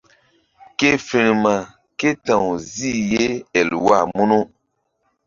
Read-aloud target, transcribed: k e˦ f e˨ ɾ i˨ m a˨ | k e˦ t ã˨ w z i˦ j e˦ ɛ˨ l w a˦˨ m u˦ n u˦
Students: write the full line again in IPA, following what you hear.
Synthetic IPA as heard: k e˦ f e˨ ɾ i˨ m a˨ | k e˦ t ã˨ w z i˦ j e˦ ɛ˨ l w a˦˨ m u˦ n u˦

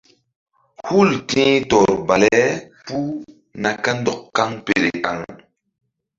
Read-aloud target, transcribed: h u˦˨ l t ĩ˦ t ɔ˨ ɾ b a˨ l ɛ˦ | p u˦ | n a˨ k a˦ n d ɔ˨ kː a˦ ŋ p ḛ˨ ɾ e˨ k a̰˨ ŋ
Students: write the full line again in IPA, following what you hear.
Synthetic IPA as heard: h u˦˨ l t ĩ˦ t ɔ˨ ɾ b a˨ l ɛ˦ | p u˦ | n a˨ k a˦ n d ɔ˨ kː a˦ ŋ p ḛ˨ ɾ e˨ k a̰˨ ŋ

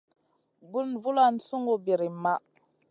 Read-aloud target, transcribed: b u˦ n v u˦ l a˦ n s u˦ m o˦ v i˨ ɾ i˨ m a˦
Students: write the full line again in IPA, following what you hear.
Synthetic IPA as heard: b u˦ n v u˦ l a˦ n s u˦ ŋ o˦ b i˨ ɾ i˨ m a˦

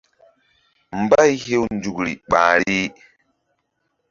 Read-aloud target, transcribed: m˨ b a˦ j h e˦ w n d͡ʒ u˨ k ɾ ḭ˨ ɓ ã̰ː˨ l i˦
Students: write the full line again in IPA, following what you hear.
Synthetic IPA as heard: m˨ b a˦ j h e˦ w n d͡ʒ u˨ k ɾ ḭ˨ ɓ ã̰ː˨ ɾ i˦

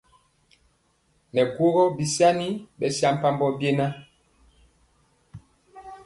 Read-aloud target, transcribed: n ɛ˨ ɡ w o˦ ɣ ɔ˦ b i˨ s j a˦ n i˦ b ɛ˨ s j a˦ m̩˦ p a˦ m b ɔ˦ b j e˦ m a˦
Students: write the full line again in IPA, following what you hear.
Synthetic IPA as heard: n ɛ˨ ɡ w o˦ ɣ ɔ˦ b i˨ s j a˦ n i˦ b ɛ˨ s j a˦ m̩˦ p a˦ m b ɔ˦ b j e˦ n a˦

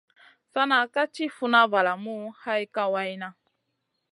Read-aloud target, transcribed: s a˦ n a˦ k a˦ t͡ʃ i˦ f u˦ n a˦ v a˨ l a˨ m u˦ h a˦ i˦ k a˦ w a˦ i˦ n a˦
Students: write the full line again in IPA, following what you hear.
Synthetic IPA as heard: s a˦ n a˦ k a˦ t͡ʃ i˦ f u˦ n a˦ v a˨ l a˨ m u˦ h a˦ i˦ k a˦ w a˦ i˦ n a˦

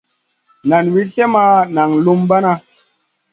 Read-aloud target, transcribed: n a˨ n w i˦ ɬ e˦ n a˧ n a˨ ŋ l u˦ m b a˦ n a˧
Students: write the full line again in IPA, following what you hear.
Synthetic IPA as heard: n a˨ n w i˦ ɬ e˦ m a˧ n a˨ ŋ l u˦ m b a˦ n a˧

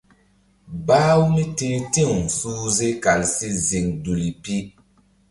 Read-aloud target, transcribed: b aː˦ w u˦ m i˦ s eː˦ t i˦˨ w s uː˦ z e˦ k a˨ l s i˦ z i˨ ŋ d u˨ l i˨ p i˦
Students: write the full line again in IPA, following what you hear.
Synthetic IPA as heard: b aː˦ w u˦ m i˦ t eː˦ t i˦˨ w s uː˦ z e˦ k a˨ l s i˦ z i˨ ŋ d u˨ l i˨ p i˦

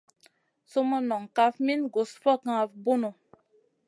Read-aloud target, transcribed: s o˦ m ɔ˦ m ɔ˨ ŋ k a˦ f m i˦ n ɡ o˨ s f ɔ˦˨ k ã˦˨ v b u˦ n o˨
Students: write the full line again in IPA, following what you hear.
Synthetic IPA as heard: s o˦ m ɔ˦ n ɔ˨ ŋ k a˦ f m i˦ n ɡ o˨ s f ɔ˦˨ k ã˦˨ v b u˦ n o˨

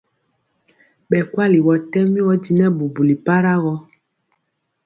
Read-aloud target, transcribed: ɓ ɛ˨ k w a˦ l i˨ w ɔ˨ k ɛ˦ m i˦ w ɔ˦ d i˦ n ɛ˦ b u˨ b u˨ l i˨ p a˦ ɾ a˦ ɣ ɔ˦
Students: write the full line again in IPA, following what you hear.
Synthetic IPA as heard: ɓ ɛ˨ k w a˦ l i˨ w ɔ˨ t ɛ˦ m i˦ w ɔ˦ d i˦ n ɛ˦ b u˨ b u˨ l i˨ p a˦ ɾ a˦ ɣ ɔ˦

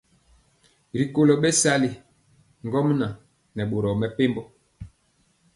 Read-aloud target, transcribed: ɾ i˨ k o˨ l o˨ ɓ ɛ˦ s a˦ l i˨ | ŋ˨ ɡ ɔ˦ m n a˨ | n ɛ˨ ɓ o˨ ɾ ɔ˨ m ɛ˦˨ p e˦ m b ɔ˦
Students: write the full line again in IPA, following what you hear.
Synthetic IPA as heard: ɾ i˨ k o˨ l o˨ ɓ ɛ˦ s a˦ l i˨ | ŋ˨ ɡ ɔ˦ m n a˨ | n ɛ˨ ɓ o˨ ɾ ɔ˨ m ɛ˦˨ p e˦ m b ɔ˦

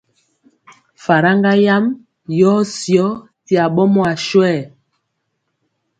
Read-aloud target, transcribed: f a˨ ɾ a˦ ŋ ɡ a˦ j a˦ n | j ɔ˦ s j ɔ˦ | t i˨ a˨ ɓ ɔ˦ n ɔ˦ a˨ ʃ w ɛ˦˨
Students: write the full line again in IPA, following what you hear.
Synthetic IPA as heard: f a˨ ɾ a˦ ŋ ɡ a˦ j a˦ m | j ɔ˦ s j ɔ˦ | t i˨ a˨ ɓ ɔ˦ m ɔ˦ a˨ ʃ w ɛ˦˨

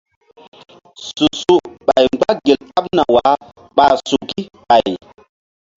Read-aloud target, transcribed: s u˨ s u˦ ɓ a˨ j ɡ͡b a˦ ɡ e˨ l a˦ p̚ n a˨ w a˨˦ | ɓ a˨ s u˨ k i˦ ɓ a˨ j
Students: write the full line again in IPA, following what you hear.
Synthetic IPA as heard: s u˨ s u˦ ɓ a˨ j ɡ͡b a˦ ɡ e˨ l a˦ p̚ n a˨ w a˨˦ | ɓ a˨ s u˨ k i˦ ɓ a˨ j

